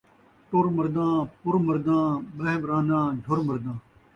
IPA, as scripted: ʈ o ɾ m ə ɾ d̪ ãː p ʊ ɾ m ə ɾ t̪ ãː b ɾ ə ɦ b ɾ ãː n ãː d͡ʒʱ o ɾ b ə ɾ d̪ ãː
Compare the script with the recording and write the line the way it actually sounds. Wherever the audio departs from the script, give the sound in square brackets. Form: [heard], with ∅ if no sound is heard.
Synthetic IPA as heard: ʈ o ɾ m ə ɾ d̪ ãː p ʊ ɾ m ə ɾ [d̪] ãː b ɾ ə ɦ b ɾ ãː n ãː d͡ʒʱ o ɾ [m] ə ɾ d̪ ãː